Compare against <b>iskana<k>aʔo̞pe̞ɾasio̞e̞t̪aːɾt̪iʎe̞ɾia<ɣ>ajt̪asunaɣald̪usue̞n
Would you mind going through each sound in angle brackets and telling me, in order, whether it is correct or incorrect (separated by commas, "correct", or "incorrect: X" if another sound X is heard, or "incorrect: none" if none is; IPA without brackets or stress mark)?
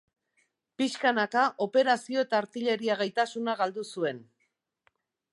incorrect: p, correct, correct